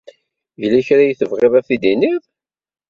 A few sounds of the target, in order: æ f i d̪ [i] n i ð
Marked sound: correct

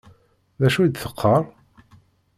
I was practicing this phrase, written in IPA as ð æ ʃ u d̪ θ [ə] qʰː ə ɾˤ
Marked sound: correct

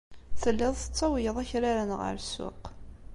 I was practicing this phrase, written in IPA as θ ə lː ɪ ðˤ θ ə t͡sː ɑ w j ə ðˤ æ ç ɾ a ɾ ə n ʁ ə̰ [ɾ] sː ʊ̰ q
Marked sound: correct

